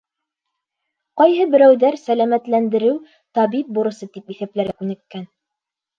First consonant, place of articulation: uvular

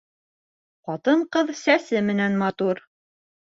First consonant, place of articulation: uvular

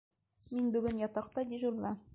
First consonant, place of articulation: labial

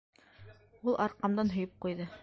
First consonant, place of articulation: alveolar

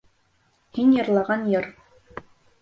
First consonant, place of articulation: glottal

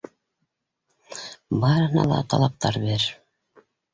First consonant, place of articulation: labial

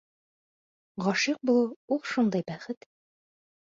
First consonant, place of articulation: uvular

